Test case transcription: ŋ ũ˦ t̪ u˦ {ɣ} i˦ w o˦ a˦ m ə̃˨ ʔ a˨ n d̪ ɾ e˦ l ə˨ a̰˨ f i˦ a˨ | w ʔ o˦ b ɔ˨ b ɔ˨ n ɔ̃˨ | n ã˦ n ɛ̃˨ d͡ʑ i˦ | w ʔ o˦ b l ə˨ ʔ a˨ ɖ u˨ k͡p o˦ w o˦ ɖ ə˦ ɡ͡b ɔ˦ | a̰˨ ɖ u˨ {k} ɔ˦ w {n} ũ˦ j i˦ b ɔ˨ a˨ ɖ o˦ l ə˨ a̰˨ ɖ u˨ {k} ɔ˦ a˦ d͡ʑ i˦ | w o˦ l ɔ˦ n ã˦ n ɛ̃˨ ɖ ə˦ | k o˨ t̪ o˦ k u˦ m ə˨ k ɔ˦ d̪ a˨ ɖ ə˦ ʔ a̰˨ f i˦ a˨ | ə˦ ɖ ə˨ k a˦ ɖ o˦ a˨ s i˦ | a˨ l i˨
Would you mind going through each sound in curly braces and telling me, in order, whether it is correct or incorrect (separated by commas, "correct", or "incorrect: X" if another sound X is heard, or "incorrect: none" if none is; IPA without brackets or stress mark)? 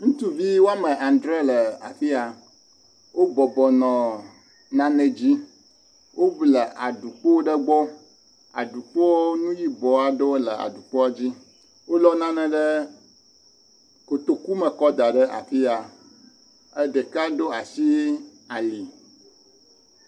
incorrect: v, incorrect: k͡p, correct, incorrect: k͡p